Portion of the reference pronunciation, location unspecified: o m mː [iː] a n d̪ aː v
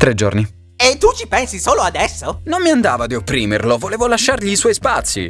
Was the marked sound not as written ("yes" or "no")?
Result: yes